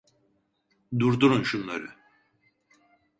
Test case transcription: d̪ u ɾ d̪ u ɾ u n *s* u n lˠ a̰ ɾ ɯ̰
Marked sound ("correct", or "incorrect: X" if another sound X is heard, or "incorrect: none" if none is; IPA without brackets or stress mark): incorrect: ʃ